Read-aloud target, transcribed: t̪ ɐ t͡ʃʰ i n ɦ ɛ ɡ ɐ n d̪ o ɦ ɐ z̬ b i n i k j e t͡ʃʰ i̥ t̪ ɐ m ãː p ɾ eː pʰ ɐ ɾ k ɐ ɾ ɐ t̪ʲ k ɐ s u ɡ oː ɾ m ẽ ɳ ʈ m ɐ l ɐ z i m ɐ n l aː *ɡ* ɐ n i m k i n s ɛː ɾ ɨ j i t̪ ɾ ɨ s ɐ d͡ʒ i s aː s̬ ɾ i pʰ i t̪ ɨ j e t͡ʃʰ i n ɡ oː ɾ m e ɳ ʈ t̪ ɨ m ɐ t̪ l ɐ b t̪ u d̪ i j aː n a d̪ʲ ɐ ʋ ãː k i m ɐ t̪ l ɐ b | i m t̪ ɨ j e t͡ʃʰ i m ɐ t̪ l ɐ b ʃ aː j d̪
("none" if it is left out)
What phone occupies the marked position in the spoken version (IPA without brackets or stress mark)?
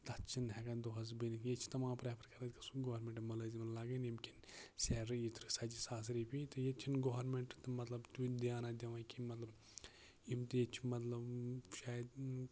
ɡ